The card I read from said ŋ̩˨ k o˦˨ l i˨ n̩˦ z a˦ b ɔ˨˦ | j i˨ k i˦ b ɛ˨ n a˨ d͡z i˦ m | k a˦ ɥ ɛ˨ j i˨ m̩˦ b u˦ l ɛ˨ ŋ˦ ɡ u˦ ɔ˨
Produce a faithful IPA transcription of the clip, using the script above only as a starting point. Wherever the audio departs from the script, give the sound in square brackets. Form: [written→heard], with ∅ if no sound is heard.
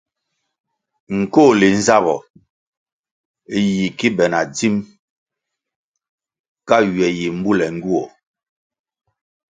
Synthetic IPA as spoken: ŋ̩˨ k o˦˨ l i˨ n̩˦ z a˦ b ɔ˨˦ | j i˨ k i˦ b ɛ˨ n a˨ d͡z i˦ m | k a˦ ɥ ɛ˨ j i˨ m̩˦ b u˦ l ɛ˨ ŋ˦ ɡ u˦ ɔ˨